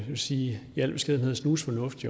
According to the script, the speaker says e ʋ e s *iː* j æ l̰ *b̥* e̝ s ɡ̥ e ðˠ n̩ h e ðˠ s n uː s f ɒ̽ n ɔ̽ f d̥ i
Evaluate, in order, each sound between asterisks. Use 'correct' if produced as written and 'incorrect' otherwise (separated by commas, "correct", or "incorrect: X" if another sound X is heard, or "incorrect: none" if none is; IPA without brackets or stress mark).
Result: correct, correct